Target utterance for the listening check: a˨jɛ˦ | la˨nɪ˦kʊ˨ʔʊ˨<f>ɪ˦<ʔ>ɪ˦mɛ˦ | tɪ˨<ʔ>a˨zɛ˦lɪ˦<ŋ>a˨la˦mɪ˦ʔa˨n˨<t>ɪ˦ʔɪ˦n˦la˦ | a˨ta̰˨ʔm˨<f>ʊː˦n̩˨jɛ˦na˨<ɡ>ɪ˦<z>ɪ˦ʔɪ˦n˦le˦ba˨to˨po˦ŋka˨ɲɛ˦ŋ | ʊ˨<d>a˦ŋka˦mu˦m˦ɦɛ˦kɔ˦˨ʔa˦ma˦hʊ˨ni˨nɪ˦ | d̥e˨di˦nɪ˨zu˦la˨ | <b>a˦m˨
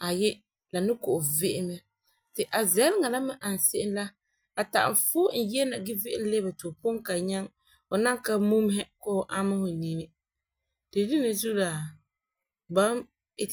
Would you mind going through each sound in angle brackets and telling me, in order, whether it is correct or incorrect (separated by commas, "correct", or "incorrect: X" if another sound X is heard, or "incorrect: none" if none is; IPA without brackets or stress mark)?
incorrect: v, correct, correct, correct, incorrect: s, correct, correct, incorrect: v, incorrect: n, correct